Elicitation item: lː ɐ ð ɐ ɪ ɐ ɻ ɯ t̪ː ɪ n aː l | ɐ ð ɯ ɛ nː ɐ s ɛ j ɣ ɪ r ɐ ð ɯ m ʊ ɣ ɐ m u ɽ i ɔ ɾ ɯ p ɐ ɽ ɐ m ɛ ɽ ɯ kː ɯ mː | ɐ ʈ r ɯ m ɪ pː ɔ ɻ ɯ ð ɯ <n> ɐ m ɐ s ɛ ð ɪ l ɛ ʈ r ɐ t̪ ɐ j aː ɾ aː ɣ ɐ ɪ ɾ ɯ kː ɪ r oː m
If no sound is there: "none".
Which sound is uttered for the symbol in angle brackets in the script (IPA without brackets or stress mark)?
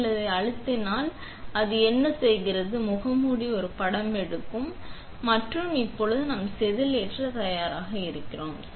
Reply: n